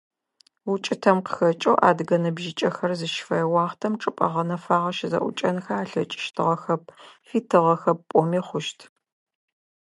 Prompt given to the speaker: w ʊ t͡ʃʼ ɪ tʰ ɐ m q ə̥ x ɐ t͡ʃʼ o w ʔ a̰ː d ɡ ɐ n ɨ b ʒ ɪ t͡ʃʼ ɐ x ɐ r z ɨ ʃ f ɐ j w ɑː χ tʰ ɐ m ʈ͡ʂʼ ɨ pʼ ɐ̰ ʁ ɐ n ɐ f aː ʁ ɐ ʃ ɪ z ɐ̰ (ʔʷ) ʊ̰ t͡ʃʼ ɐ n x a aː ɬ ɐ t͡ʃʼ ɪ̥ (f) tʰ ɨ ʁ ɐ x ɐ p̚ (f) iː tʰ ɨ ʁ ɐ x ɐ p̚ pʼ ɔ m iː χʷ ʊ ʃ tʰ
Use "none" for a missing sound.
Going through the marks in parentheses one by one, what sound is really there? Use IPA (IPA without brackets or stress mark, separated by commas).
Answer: ʔʷ, ʃ, f